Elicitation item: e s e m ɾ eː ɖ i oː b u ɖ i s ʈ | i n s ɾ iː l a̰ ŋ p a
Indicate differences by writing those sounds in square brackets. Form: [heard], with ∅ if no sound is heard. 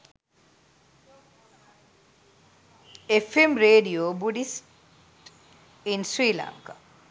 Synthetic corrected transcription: e [f] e m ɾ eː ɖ i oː b u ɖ i s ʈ | i n s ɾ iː l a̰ ŋ [k] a